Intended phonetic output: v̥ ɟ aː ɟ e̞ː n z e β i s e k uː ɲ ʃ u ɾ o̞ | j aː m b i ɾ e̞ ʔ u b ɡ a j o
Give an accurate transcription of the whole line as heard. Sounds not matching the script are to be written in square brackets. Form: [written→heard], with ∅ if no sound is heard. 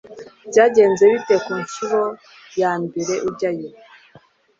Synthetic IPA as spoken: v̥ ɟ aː ɟ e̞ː n z e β i [s→t] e k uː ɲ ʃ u ɾ o̞ | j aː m b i ɾ e̞ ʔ u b [ɡ→ɟ] a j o